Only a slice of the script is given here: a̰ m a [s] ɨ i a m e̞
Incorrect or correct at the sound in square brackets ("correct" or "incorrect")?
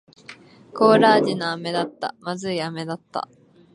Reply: incorrect